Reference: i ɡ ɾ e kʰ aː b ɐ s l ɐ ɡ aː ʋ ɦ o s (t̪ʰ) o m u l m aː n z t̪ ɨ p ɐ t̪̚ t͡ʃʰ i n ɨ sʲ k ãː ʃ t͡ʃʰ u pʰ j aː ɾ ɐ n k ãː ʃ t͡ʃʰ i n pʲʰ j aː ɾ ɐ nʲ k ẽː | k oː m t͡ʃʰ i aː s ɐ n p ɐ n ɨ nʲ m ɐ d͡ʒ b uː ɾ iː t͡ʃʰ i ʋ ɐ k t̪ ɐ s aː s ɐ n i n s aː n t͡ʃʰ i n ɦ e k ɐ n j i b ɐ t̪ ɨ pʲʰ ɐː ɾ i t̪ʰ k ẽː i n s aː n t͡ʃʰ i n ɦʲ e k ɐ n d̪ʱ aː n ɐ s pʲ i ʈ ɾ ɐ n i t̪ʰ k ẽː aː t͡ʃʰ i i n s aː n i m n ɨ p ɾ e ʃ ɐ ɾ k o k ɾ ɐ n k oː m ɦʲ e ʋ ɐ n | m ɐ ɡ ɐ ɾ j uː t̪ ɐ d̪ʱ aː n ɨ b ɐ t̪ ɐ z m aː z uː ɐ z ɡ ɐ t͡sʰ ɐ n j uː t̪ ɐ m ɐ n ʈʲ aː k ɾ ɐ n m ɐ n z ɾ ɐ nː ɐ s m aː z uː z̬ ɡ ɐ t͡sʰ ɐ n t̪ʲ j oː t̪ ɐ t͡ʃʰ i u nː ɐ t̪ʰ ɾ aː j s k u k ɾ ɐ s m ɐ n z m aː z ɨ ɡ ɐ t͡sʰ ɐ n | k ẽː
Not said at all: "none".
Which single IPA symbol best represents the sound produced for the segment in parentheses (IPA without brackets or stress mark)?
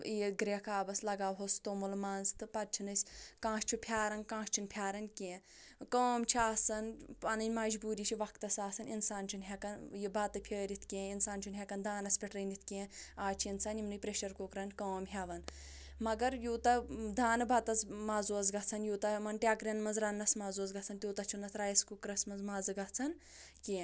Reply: t̪